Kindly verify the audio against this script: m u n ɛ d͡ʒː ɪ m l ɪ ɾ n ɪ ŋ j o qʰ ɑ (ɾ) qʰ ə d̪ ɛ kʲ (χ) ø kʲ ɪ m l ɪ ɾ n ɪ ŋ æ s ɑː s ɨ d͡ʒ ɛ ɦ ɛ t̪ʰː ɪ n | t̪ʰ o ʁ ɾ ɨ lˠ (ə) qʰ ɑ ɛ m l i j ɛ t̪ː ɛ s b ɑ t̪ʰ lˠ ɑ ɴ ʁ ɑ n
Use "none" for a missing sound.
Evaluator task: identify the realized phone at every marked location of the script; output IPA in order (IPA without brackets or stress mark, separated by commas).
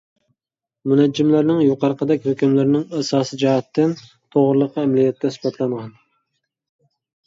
ɾ, h, ə